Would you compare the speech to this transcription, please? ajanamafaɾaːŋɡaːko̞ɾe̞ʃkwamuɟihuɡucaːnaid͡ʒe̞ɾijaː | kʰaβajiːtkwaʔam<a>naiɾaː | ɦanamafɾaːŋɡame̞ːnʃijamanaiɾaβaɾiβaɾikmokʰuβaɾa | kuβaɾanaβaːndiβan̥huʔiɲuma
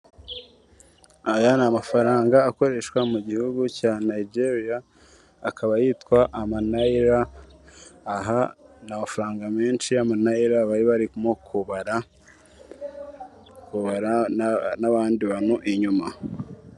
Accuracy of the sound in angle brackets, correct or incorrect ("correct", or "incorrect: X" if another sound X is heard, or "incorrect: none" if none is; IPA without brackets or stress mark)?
correct